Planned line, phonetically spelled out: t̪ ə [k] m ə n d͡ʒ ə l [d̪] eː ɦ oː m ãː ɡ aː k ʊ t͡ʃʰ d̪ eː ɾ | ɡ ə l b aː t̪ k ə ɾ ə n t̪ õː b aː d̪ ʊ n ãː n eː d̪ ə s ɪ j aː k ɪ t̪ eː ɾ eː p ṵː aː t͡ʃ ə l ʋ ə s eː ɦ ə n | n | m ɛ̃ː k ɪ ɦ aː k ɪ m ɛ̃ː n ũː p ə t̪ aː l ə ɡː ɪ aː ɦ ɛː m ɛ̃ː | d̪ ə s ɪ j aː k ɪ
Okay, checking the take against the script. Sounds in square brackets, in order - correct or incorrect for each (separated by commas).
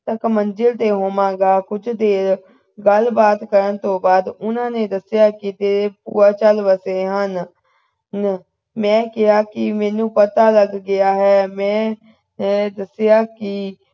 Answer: correct, incorrect